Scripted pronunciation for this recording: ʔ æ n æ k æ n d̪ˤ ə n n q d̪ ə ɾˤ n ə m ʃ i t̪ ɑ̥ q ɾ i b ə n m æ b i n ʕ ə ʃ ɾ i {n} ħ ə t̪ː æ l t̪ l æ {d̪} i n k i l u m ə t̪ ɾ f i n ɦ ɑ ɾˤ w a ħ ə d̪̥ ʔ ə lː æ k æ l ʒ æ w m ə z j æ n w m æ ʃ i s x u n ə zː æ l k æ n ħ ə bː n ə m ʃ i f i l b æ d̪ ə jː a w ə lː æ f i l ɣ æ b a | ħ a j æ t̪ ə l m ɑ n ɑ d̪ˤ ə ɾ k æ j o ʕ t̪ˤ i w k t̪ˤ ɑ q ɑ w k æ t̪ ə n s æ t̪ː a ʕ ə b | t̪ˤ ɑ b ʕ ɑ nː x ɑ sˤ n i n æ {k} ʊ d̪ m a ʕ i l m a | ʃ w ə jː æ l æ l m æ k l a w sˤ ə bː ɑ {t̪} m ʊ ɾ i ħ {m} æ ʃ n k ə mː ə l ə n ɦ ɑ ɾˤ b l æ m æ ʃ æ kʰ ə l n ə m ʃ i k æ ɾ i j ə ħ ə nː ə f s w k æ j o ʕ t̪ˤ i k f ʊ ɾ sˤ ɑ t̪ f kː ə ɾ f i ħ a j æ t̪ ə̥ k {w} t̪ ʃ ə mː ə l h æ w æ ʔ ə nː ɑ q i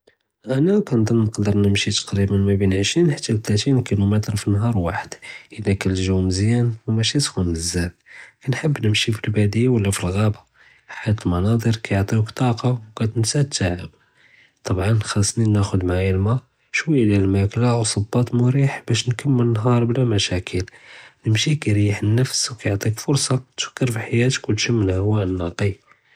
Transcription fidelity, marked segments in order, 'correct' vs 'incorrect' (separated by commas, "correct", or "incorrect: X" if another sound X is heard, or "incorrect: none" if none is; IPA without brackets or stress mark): correct, incorrect: t̪, incorrect: x, correct, incorrect: b, correct